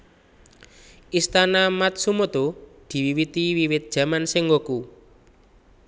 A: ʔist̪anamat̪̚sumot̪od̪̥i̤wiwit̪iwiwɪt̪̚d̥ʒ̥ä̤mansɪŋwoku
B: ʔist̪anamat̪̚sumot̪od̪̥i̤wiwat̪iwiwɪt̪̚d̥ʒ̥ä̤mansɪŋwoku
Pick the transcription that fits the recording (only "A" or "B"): A